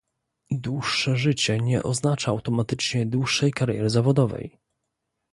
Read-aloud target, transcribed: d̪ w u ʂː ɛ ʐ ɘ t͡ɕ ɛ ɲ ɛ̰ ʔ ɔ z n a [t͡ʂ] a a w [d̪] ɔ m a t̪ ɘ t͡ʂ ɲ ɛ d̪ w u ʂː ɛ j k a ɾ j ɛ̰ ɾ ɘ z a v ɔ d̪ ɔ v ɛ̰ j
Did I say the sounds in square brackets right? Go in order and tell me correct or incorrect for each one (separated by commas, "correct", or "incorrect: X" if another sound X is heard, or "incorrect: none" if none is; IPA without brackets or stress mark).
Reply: correct, incorrect: t̪